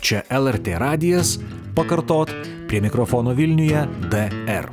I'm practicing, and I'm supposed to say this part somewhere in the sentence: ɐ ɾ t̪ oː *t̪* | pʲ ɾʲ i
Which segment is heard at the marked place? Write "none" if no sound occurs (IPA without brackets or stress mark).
t̪